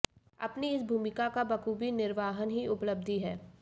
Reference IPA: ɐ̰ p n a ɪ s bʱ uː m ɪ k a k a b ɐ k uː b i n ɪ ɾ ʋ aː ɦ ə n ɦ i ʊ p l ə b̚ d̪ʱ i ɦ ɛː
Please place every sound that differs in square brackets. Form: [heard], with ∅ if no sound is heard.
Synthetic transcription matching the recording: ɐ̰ p n [i] ɪ s bʱ uː m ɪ k a k a b ɐ k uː b i n ɪ ɾ ʋ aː ɦ ə n ɦ i ʊ p l ə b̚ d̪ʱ i ɦ ɛː